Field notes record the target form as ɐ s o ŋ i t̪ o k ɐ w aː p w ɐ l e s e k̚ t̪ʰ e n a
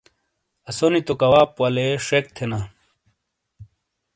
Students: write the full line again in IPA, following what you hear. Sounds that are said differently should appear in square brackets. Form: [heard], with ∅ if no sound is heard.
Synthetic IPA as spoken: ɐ s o [n] i t̪ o k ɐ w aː p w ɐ l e [ʂ] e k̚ t̪ʰ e n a